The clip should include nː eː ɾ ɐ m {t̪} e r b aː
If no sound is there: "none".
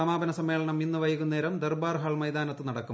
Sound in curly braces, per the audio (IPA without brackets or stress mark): d̪